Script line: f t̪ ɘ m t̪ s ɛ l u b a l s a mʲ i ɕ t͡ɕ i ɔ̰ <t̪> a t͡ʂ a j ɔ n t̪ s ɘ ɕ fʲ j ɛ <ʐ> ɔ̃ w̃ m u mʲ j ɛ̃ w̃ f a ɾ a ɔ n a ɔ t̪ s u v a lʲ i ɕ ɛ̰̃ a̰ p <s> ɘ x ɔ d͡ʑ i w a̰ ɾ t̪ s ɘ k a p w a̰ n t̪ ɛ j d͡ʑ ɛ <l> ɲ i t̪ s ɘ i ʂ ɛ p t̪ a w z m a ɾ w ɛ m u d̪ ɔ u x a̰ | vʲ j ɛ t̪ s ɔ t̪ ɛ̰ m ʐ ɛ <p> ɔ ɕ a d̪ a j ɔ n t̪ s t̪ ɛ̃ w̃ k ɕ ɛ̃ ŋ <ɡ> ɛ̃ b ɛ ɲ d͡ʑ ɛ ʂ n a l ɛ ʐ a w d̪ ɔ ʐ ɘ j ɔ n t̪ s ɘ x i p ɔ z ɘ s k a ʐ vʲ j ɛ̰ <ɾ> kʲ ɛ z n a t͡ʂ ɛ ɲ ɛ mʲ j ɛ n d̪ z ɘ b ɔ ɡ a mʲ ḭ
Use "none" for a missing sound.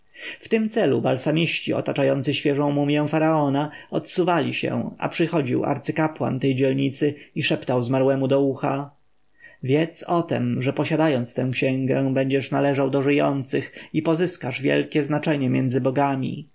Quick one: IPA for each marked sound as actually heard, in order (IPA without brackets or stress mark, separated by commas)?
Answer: t̪, ʐ, ʂ, l, p, ɡ, l